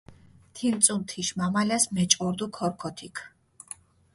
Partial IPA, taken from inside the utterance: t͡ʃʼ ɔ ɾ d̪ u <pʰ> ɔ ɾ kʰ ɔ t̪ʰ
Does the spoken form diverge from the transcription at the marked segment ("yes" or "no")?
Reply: yes